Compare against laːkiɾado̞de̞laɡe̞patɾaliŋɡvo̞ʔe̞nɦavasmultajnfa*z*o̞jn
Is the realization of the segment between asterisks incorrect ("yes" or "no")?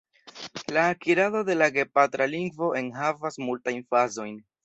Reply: no